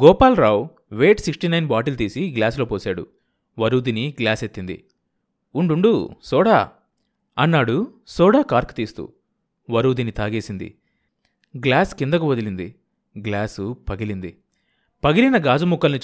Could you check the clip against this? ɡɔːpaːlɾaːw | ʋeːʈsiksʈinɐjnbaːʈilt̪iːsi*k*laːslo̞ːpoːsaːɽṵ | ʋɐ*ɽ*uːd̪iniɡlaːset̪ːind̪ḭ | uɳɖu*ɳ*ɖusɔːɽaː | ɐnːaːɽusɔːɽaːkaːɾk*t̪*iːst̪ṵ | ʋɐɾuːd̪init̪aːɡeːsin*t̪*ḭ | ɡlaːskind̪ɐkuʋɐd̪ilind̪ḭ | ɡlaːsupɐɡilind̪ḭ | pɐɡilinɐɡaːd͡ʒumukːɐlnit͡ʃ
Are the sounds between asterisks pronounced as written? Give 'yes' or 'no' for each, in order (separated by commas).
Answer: no, no, yes, yes, no